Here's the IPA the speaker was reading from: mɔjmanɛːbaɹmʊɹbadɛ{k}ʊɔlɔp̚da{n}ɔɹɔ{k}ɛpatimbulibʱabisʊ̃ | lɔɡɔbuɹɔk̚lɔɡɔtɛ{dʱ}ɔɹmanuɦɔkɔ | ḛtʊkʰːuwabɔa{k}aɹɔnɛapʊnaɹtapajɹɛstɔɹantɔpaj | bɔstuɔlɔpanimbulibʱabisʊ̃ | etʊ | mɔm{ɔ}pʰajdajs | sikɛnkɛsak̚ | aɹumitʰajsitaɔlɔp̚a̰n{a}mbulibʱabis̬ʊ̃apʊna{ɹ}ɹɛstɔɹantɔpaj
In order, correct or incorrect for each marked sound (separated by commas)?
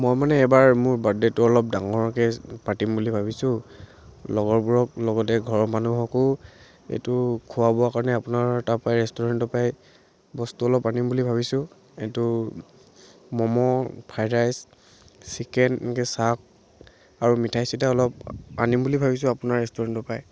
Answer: incorrect, incorrect, correct, incorrect, correct, correct, incorrect, correct